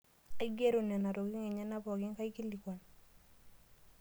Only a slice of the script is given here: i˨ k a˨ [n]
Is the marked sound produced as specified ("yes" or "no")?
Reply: yes